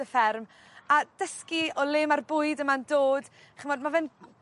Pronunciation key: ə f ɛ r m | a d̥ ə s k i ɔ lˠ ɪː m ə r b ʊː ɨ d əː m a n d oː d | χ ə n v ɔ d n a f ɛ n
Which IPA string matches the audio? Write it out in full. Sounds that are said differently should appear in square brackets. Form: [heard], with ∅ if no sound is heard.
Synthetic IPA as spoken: ə f ɛ r m | a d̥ ə s k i ɔ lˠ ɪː m [a] r b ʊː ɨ d [ə] m a n d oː d | χ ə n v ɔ d [m] a [v] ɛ n